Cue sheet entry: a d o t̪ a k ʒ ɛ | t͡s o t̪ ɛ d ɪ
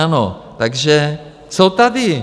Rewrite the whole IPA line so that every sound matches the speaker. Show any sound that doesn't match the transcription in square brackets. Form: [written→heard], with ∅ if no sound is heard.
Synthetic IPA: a [d→n] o t̪ a [k→ɡ] ʒ ɛ | t͡s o t̪ [ɛ→a] d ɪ